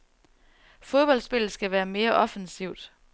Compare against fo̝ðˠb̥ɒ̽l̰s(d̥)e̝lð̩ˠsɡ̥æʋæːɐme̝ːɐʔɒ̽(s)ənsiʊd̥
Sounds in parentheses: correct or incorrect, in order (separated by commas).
incorrect, incorrect